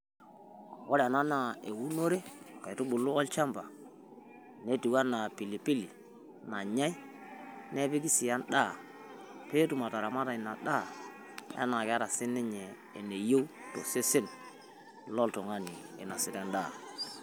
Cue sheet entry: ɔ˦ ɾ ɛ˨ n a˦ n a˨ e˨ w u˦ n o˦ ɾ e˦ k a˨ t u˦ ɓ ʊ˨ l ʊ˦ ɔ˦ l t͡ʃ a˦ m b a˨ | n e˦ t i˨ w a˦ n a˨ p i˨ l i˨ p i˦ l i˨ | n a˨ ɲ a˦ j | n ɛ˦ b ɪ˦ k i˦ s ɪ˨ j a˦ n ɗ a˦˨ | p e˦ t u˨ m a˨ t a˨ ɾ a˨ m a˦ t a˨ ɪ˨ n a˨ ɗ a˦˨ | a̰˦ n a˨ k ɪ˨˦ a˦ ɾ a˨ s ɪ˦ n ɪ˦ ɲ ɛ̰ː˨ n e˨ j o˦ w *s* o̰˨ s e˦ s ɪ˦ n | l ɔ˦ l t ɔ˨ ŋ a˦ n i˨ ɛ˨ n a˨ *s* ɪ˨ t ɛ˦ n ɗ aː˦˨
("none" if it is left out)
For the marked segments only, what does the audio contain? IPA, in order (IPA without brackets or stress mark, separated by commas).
t, s